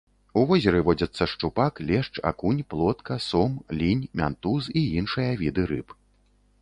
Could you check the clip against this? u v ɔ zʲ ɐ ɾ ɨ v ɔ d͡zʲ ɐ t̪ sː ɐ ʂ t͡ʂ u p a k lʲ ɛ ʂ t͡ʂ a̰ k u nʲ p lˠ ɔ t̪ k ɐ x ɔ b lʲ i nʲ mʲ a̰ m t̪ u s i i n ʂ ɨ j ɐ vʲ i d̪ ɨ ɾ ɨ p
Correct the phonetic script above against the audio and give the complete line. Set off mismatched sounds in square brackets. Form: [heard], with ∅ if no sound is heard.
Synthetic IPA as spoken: u v ɔ zʲ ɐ ɾ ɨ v ɔ d͡zʲ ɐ t̪ sː ɐ ʂ t͡ʂ u p a k lʲ ɛ ʂ t͡ʂ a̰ k u nʲ p lˠ ɔ t̪ k ɐ [s] ɔ [m] lʲ i nʲ mʲ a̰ [n] t̪ u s i i n ʂ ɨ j ɐ vʲ i d̪ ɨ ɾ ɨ p